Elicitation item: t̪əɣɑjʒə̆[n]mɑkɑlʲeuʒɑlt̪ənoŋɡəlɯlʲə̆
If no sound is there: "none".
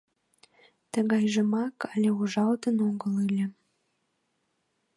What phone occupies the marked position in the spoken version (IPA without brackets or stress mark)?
none